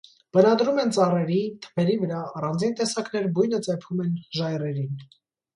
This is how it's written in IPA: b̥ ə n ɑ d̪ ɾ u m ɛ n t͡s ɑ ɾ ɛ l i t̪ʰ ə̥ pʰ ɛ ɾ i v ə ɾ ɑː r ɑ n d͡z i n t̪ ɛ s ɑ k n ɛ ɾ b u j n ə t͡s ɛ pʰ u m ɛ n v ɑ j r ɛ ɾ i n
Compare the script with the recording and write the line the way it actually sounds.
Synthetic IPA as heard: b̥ ə n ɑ d̪ ɾ u m ɛ n t͡s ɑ r ɛ ɾ i t̪ʰ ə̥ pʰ ɛ ɾ i v ə ɾ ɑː r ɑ n d͡z i n t̪ ɛ s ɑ k n ɛ ɾ b u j n ə t͡s ɛ pʰ u m ɛ n ʒ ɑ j r ɛ ɾ i n

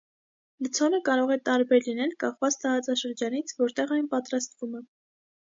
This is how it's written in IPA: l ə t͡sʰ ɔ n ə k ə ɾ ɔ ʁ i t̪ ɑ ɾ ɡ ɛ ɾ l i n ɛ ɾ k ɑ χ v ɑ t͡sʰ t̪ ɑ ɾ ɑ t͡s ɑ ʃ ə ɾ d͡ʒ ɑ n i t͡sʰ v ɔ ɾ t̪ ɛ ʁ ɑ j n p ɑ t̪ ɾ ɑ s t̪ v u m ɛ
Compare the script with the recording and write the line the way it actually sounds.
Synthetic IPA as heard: l ə t͡sʰ ɔ n ə k ɑ ɾ ɔ ʁ ɛ t̪ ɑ ɾ b ɛ ɾ l i n ɛ l k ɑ χ v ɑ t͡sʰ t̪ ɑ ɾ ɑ t͡s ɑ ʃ ə ɾ d͡ʒ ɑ n i t͡sʰ v ɔ ɾ t̪ ɛ ʁ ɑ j n p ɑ t̪ ɾ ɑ s t̪ v u m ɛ

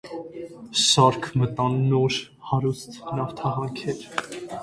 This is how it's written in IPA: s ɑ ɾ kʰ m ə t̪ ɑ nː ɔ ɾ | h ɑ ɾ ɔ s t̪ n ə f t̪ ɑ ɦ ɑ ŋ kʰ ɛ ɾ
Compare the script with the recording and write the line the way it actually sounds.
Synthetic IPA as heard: s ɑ ɾ kʰ m ə t̪ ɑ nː ɔ ɾ | h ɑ ɾ u s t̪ n ɑ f t̪ʰ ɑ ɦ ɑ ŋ kʰ ɛ ɾ

